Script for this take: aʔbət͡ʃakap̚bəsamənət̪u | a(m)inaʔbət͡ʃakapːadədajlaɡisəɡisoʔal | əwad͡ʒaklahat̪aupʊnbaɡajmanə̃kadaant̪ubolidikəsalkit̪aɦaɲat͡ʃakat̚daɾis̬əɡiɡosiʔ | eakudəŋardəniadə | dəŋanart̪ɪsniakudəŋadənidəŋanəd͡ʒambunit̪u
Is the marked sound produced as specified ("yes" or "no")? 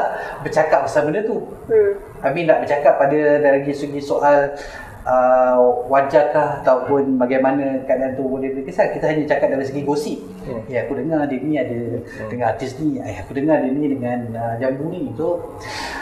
yes